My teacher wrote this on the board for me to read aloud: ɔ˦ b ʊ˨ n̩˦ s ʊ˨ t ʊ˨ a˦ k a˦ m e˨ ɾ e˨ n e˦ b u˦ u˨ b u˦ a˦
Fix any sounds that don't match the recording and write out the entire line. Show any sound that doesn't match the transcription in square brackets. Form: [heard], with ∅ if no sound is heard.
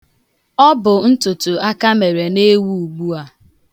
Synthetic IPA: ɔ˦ b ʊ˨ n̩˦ [t] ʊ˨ t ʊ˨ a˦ k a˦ m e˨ ɾ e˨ n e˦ [w] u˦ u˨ [ɡ͡b] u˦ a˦